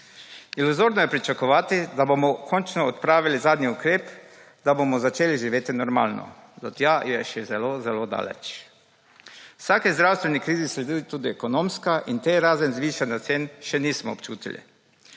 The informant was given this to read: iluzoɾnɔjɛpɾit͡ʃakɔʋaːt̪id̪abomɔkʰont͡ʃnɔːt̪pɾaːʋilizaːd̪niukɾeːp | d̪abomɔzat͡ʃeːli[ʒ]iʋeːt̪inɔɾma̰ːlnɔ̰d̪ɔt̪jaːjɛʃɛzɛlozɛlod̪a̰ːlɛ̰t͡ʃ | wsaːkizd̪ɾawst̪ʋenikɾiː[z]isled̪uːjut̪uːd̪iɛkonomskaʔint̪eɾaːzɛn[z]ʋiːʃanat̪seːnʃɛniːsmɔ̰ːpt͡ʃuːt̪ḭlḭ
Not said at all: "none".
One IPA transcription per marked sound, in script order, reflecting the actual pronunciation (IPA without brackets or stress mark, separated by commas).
ʒ, z, z